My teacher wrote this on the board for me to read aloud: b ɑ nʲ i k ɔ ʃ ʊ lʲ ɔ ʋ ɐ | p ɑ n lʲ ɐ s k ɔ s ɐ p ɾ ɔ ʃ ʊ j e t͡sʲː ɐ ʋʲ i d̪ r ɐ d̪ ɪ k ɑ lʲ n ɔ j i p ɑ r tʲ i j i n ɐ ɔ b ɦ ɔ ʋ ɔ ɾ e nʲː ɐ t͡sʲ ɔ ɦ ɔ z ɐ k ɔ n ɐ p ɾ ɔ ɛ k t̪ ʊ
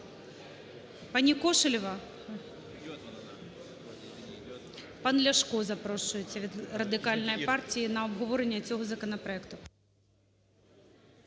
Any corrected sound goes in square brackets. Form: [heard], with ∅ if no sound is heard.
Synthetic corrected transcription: [p] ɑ nʲ i k ɔ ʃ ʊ lʲ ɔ ʋ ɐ | p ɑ n lʲ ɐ [ʃ] k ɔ [z] ɐ p ɾ ɔ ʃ ʊ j e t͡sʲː ɐ ʋʲ i d̪ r ɐ d̪ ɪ k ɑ lʲ n ɔ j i p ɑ r tʲ i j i n ɐ ɔ b ɦ ɔ ʋ ɔ ɾ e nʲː ɐ t͡sʲ ɔ ɦ ɔ z ɐ k ɔ n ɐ p ɾ ɔ ɛ k t̪ ʊ

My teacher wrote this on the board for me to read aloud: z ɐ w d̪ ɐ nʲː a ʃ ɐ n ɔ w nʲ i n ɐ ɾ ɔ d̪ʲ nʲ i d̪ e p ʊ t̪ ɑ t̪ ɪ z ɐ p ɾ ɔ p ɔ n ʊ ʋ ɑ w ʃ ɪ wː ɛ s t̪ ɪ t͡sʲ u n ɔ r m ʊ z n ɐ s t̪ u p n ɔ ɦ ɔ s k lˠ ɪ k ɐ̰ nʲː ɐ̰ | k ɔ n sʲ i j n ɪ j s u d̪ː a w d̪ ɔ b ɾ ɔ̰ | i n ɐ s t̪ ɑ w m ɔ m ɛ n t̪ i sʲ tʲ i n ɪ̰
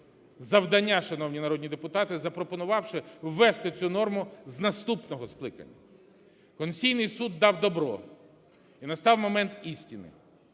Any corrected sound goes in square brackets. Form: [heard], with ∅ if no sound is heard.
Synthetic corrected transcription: z ɐ w d̪ ɐ nʲː a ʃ ɐ n ɔ w nʲ i n ɐ ɾ ɔ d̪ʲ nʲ i d̪ e p ʊ t̪ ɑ t̪ ɪ z ɐ p ɾ ɔ p ɔ n ʊ ʋ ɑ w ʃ ɪ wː ɛ s t̪ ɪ t͡sʲ u n ɔ r m ʊ z n ɐ s t̪ u p n ɔ ɦ ɔ s k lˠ ɪ k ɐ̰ nʲː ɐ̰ | k ɔ n sʲ i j n ɪ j s u d̪ː [ɑ] w d̪ ɔ b ɾ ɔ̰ | i n ɐ s t̪ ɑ w m ɔ m ɛ n t̪ i sʲ tʲ i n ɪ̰

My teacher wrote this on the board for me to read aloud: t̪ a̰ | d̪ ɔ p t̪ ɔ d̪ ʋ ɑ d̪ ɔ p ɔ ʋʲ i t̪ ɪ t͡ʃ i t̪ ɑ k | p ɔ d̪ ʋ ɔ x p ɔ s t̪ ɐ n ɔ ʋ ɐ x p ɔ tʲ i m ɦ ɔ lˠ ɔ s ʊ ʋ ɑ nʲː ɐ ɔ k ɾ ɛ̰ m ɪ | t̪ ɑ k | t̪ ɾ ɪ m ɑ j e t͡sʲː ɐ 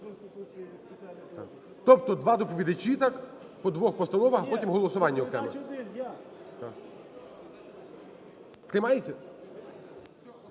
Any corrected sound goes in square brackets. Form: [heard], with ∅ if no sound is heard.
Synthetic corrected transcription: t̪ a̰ | [t̪] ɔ p t̪ ɔ d̪ ʋ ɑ d̪ ɔ p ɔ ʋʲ i [d̪] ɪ t͡ʃ i t̪ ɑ k | p ɔ d̪ ʋ ɔ x p ɔ s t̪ ɐ n ɔ ʋ ɐ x p ɔ tʲ i m ɦ ɔ lˠ ɔ s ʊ ʋ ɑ nʲː ɐ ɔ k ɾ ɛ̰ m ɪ | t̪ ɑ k | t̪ ɾ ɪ m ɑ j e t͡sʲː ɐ

